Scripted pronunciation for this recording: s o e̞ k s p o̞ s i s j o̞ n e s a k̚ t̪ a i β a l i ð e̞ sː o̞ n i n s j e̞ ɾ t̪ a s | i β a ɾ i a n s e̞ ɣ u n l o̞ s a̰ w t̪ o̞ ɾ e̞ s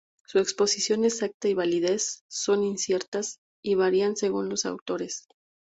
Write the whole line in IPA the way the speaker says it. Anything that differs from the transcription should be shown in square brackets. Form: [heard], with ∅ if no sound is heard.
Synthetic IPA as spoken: s [u] e̞ k s p o̞ s i s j o̞ n e s a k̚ t̪ a i β a l i ð e̞ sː o̞ n i n s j e̞ ɾ t̪ a s | i β a ɾ i a n s e̞ ɣ u n l o̞ s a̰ w t̪ o̞ ɾ e̞ s